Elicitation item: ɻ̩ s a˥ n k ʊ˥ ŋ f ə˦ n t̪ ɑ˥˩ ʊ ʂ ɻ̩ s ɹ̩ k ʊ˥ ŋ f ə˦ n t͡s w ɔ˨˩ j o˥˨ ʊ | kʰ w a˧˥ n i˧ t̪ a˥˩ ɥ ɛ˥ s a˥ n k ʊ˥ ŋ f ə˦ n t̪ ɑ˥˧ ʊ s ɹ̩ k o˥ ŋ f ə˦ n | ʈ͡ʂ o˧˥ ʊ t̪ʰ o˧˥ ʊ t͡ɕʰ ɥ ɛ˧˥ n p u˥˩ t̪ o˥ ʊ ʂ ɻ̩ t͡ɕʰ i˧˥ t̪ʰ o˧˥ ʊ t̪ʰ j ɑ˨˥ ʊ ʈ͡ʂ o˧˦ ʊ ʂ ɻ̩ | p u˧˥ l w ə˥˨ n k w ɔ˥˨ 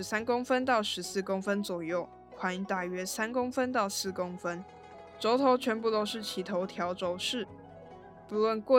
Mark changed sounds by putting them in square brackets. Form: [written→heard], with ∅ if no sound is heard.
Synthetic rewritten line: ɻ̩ s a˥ n k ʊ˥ ŋ f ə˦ n t̪ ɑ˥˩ ʊ ʂ ɻ̩ s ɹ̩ k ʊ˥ ŋ f ə˦ n t͡s w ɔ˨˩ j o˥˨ ʊ | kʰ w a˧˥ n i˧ t̪ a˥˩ ɥ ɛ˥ s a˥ n k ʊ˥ ŋ f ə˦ n t̪ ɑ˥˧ ʊ s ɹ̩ k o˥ ŋ f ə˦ n | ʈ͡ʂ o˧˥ ʊ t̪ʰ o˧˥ ʊ t͡ɕʰ ɥ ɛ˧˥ n p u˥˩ t̪ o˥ ʊ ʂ ɻ̩ t͡ɕʰ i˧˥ t̪ʰ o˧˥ ʊ t̪ʰ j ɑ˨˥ ʊ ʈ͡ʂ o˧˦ ʊ ʂ ɻ̩ | p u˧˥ l w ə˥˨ n k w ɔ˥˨